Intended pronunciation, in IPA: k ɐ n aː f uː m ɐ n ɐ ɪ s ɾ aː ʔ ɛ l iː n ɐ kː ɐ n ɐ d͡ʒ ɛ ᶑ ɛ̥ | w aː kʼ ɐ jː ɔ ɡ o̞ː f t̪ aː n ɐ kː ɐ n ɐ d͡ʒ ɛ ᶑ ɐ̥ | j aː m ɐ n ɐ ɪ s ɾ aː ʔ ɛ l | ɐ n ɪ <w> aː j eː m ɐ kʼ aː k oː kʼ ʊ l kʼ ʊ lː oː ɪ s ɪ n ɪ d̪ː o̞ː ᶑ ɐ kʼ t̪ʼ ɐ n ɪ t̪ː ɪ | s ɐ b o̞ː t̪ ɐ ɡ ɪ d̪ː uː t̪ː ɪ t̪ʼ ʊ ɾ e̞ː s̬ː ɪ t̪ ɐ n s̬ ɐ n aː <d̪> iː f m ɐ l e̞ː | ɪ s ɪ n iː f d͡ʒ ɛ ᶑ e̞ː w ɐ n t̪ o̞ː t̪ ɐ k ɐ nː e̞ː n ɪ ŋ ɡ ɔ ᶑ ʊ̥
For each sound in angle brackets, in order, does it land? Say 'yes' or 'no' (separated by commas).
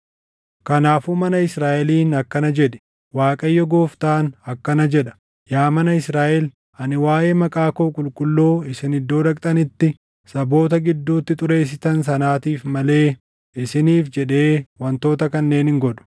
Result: yes, no